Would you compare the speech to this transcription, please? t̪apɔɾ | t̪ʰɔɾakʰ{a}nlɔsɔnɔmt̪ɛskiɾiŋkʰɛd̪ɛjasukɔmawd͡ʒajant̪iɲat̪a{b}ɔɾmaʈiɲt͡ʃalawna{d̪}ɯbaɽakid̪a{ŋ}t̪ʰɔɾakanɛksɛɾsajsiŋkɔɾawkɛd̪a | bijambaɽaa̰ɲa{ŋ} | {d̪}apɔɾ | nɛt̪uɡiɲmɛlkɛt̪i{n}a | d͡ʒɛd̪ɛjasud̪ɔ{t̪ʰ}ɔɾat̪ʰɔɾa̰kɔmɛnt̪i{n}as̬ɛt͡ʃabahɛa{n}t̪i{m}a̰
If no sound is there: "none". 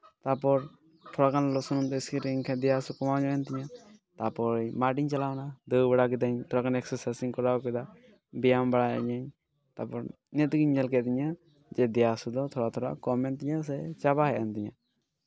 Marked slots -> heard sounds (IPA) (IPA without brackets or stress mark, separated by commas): a, p, d̪, ɲ, ɲ, t̪, ɲ, t̪ʰ, ɲ, n, ɲ